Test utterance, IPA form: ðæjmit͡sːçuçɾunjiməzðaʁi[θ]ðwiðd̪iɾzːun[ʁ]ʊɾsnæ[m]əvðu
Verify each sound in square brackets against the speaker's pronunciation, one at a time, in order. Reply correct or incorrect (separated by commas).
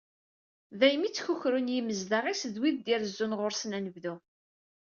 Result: incorrect, correct, incorrect